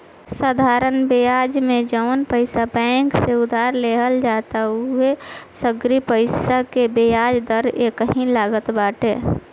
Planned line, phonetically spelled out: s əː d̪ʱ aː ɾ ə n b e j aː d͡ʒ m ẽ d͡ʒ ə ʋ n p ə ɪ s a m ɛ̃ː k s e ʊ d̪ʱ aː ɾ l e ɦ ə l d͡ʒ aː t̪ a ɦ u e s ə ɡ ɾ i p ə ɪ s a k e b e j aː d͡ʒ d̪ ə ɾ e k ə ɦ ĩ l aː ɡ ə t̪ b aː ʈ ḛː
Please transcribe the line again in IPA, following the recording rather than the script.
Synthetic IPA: s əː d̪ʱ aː ɾ ə n b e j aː d͡ʒ m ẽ d͡ʒ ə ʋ n p ə ɪ s a b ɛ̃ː k s e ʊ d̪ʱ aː ɾ l e ɦ ə l d͡ʒ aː t̪ a ɦ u e s ə ɡ ɾ i p ə ɪ s a k e b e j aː d͡ʒ d̪ ə ɾ e k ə ɦ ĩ l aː ɡ ə t̪ b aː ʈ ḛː